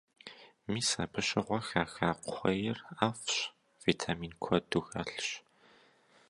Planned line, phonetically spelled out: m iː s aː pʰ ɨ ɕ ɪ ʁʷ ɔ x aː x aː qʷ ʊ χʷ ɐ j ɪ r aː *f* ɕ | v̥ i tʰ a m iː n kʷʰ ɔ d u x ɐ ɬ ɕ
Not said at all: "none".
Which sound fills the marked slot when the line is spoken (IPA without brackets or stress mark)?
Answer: f